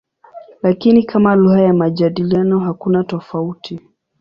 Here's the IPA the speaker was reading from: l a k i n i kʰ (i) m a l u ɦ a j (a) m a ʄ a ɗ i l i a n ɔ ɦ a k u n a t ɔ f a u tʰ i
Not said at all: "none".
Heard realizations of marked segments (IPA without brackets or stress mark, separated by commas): a, a